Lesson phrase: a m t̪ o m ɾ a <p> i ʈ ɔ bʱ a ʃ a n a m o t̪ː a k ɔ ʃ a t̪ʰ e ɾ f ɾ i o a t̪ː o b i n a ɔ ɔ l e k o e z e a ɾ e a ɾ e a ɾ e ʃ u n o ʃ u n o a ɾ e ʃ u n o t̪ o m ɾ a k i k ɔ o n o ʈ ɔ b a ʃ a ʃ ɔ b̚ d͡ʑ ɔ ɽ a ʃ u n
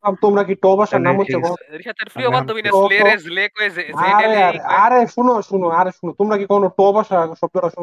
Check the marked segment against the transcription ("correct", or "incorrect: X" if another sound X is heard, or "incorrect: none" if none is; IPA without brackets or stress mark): incorrect: k